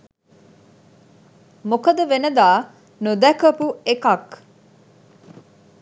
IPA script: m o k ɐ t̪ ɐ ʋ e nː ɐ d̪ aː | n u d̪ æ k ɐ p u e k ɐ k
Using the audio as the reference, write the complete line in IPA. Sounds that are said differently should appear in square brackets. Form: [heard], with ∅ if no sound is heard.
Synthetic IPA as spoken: m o k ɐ [d̪] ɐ ʋ e [n] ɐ d̪ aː | n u d̪ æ k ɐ p u e k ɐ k